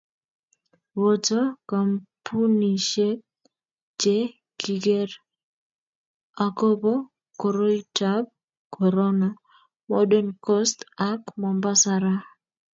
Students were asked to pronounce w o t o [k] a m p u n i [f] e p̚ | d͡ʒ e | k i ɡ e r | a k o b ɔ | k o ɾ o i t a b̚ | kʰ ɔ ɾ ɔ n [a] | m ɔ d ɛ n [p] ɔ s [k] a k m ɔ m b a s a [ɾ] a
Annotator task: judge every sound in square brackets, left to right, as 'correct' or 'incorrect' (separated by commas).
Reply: correct, incorrect, correct, incorrect, incorrect, correct